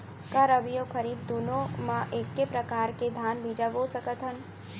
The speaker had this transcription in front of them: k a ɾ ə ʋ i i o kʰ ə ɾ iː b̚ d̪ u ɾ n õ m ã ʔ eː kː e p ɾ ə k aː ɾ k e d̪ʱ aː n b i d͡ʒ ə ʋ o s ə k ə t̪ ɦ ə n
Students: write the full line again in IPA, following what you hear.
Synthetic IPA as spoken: k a ɾ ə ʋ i j o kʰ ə ɾ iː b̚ d̪ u n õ m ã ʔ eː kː e p ɾ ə k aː ɾ k e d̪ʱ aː n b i d͡ʒ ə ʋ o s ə k ə t̪ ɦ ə n